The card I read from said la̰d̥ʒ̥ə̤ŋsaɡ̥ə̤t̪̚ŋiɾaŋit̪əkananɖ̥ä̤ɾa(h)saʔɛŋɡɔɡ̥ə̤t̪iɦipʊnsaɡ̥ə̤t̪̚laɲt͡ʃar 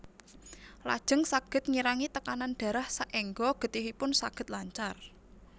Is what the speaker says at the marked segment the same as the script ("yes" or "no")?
yes